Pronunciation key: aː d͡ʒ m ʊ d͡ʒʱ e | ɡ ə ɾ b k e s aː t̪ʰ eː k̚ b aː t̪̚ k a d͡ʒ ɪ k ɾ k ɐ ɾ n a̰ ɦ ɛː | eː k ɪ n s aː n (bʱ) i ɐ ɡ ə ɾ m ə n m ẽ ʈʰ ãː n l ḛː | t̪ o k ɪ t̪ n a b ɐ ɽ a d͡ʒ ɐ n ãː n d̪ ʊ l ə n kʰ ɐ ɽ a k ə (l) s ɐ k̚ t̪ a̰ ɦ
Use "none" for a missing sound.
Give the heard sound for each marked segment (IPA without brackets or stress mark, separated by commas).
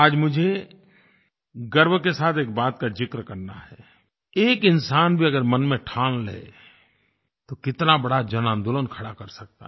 bʱ, ɾ